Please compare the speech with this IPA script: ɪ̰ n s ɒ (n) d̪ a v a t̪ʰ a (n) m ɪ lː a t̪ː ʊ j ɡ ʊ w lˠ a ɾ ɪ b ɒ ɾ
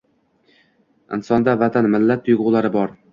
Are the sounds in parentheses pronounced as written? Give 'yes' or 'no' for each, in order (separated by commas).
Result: yes, yes